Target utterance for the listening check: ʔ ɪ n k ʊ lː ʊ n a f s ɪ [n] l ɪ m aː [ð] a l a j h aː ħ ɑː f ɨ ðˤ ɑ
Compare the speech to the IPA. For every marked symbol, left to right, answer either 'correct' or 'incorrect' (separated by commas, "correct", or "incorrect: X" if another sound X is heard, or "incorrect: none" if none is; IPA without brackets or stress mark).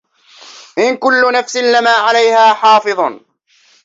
correct, incorrect: ʕ